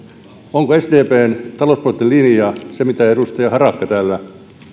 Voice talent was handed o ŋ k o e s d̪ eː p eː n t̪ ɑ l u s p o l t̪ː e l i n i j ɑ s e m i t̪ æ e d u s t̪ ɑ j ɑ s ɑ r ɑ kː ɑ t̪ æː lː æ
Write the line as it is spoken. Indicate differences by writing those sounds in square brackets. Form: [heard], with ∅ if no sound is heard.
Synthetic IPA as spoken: o ŋ k o e s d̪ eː p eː n t̪ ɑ l [o] s p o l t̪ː e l i n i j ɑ s e m i t̪ æ e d u s t̪ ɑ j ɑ [h] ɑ r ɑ kː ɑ t̪ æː lː æ